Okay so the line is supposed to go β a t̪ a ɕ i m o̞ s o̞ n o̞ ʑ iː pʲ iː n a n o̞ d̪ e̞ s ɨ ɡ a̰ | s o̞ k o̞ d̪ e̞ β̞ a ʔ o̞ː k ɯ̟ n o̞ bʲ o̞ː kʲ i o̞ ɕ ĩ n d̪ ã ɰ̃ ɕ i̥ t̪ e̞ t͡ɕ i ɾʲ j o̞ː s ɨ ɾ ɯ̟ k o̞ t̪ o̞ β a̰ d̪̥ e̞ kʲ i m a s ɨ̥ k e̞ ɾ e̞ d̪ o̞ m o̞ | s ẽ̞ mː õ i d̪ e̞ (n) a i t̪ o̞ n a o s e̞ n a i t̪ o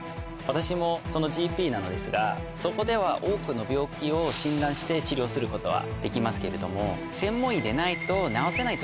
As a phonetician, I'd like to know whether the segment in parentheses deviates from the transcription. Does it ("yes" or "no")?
no